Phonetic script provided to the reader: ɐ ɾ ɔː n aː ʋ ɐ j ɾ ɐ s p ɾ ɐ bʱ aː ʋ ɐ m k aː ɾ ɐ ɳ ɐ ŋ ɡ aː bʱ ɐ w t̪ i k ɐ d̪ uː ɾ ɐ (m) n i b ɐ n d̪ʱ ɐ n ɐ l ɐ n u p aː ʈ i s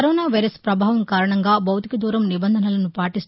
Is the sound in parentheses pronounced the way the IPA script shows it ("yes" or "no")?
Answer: yes